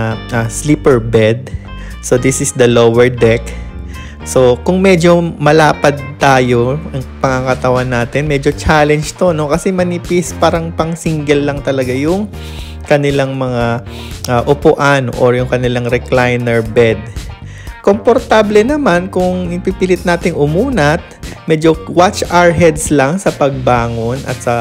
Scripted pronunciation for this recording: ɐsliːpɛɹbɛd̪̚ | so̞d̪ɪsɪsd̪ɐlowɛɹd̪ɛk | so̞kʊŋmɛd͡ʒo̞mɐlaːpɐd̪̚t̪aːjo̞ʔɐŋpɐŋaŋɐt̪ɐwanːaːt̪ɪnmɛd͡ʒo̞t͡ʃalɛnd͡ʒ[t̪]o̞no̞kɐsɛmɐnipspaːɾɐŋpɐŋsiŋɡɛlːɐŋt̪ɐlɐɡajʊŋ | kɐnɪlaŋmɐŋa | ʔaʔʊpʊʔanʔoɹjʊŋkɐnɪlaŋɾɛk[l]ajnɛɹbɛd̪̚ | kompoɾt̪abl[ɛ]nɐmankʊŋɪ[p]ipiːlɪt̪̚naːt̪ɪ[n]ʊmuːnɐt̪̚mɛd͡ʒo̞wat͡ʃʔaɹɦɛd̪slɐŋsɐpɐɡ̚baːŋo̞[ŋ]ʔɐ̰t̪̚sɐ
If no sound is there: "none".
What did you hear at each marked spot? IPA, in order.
t̪, l, ɛ, p, ŋ, n

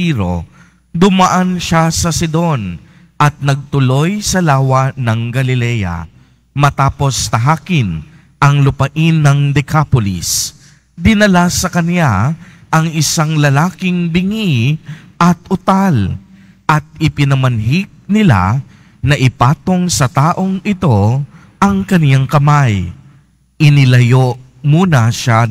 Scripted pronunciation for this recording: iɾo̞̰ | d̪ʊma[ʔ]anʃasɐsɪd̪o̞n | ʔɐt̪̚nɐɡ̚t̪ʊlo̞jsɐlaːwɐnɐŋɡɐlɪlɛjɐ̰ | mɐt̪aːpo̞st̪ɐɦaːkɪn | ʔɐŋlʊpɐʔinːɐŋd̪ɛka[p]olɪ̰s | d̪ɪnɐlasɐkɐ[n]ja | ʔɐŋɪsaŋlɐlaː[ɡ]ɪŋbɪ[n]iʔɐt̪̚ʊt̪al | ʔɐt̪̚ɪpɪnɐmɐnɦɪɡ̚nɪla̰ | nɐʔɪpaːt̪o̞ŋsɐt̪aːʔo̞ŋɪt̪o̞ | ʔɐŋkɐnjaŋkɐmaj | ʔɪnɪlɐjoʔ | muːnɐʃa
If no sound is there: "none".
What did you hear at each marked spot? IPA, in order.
ʔ, p, n, k, ŋ

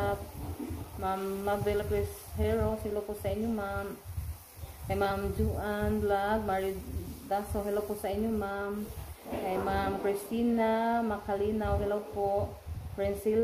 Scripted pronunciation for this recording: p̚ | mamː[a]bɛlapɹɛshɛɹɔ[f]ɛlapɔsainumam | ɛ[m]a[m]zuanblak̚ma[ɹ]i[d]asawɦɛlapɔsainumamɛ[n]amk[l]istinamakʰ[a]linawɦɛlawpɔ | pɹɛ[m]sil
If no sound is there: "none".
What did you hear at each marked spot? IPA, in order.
a, s, m, m, ɹ, d, m, ɹ, a, n

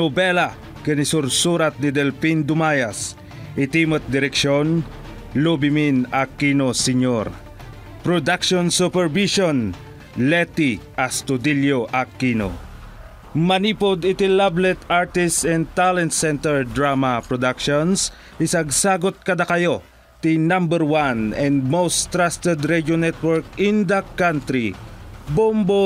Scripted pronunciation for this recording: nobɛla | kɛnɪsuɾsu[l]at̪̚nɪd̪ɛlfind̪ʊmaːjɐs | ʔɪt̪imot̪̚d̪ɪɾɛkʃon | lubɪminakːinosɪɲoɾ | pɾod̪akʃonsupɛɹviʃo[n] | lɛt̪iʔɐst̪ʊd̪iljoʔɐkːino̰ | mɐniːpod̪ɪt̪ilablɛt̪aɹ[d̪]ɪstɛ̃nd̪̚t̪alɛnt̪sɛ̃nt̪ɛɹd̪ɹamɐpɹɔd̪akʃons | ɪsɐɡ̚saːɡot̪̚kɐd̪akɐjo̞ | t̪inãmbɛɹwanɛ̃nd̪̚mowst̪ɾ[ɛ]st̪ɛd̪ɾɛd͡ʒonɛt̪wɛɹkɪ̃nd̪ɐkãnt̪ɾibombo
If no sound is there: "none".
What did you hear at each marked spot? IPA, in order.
ɾ, n, t̪, a

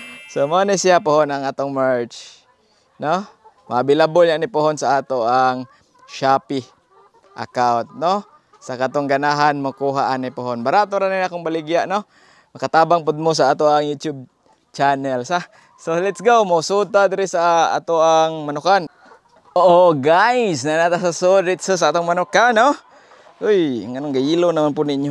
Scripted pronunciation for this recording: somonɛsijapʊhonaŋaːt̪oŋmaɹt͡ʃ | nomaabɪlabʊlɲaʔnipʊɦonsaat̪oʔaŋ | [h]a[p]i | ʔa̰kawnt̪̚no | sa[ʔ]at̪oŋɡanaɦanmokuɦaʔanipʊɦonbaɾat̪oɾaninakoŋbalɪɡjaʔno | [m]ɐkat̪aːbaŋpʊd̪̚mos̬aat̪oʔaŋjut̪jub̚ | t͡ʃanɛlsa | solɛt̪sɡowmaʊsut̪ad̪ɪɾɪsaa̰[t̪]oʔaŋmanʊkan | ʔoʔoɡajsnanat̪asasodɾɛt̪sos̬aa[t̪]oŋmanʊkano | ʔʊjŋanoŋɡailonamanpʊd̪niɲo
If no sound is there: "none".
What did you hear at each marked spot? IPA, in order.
ʃ, p, k, m, t̪, t̪

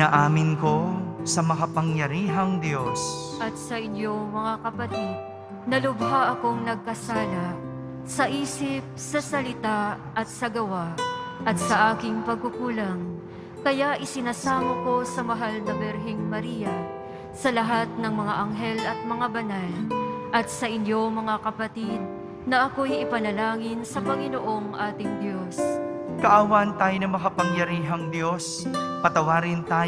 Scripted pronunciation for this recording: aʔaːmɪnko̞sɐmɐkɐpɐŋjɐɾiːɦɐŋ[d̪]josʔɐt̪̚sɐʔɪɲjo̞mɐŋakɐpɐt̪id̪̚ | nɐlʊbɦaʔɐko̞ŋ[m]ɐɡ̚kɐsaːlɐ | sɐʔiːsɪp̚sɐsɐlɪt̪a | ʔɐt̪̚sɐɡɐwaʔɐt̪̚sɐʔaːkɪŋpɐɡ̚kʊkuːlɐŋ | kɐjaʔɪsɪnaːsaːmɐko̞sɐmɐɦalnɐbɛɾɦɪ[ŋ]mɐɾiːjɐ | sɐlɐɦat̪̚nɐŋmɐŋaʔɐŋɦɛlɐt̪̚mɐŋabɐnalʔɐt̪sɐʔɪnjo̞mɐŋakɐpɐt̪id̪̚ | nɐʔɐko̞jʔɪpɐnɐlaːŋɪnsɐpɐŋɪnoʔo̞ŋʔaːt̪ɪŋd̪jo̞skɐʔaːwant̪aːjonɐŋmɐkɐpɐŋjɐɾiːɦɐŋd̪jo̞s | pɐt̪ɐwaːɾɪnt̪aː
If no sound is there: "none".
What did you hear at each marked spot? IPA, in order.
d̪, n, ŋ

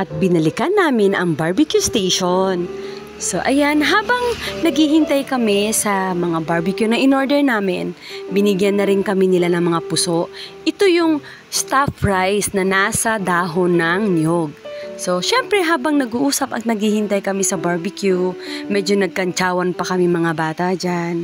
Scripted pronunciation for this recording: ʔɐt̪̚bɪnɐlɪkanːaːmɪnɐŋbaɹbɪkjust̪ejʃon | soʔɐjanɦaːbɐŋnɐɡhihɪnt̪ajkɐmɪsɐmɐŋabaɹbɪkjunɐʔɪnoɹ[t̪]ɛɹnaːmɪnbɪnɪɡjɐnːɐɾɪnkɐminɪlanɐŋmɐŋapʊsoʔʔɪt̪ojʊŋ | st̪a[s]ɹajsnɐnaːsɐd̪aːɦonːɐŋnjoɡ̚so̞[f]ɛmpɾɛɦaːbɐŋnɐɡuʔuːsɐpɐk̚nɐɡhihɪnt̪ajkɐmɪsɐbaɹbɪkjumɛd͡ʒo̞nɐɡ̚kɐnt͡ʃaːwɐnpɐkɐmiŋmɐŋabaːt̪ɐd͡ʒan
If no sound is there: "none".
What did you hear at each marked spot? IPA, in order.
d̪, f, ʃ

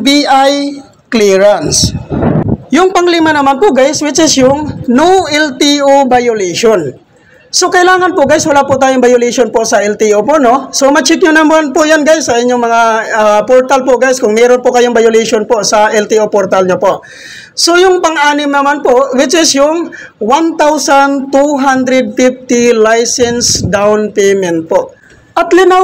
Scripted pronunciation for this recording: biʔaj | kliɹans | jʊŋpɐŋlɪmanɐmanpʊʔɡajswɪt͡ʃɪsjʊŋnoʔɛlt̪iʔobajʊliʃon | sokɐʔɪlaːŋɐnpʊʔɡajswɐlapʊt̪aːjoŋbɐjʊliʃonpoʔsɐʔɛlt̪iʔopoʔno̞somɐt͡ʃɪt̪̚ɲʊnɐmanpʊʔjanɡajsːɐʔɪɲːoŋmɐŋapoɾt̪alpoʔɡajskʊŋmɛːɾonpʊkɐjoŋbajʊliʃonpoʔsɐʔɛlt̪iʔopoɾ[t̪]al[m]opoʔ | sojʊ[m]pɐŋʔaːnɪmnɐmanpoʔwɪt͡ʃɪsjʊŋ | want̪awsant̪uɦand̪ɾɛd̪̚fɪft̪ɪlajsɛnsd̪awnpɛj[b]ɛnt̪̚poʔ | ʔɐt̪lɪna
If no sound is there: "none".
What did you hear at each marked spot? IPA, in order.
t̪, ɲ, ŋ, m

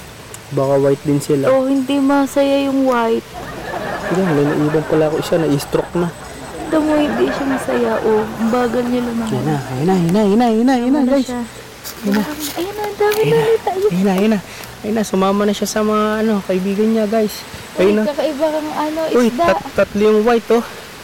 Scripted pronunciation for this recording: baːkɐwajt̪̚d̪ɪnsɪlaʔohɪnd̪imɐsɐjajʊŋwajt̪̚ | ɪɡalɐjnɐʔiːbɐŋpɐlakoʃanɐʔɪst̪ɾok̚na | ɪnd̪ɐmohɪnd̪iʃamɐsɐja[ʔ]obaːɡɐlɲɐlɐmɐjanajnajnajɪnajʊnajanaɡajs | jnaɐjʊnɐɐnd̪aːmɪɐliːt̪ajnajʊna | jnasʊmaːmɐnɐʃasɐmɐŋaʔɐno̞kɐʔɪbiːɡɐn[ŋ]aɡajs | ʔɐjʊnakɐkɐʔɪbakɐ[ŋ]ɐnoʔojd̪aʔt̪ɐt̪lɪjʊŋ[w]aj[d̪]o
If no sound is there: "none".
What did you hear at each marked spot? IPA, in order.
ʔ, ɲ, ŋ, w, t̪

